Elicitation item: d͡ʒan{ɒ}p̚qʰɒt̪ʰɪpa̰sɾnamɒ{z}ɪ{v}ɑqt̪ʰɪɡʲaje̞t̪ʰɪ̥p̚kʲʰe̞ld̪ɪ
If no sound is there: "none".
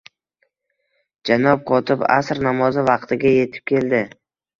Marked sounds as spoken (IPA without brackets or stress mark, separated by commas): ɒ, z, v